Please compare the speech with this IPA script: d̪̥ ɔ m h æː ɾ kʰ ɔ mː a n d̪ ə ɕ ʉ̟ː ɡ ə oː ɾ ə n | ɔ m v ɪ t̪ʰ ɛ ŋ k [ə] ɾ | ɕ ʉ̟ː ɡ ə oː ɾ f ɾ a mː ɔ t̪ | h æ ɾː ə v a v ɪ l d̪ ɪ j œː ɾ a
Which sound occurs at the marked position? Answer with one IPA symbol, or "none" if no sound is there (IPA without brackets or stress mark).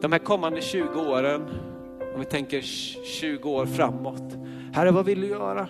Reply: ə